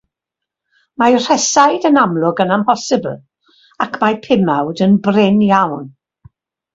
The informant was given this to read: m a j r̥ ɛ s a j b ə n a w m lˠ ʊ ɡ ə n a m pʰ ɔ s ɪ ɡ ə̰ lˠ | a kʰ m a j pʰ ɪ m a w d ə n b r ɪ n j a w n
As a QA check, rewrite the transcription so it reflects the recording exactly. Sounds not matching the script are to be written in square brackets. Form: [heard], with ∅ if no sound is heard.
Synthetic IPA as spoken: m a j r̥ ɛ s a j [d] ə n a [∅] m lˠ ʊ ɡ ə n a m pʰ ɔ s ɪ [b] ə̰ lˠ | a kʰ m a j pʰ ɪ m a w d ə n b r ɪ n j a w n